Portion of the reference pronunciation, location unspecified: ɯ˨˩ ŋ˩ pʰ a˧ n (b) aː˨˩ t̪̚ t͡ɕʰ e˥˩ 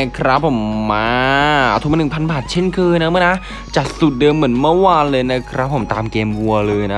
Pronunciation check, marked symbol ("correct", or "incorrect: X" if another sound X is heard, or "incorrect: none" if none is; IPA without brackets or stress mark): correct